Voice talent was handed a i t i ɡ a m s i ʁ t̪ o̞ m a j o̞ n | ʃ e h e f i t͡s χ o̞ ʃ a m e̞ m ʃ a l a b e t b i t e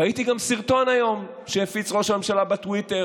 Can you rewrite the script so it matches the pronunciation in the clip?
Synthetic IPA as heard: a i t i ɡ a m s i ʁ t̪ o̞ n a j o̞ m | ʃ e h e f i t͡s ʁ o̞ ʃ a m e̞ m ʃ a l a b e t w i t e